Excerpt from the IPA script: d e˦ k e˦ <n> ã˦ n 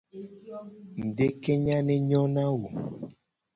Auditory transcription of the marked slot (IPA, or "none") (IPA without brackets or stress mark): ɲ